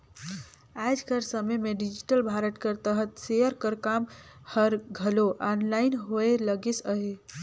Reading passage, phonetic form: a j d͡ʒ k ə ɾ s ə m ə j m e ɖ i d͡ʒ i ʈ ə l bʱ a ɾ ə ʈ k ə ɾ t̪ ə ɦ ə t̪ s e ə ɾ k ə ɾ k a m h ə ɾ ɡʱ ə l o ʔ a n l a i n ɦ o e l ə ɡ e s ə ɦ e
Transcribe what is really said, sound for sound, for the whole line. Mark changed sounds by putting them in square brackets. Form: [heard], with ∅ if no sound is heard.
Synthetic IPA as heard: a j d͡ʒ k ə ɾ s ə m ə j m e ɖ i d͡ʒ i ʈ ə l bʱ a ɾ ə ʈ k ə ɾ t̪ ə ɦ ə t̪ s e ə ɾ k ə ɾ k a m h ə ɾ ɡʱ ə l o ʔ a n l a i n ɦ o e l ə ɡ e s ə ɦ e